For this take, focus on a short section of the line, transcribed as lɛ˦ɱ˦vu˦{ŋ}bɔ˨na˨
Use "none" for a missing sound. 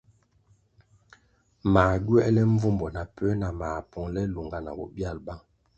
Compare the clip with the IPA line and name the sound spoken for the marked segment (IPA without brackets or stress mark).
m